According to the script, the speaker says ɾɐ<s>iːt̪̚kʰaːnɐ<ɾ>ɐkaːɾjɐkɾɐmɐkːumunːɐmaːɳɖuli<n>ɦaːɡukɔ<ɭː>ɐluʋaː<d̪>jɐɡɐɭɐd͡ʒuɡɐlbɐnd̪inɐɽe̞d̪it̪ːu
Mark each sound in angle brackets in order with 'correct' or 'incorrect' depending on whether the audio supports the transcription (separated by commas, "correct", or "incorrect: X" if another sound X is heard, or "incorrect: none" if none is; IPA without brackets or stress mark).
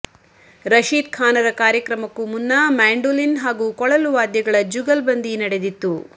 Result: incorrect: ʃ, correct, correct, incorrect: ɭ, correct